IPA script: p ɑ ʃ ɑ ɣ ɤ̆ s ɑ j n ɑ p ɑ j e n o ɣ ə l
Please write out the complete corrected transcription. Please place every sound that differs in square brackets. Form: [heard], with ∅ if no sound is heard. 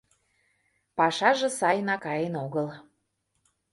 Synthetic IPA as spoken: p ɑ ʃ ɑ [ʒ] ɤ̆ s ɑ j n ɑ [k] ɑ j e n o ɣ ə l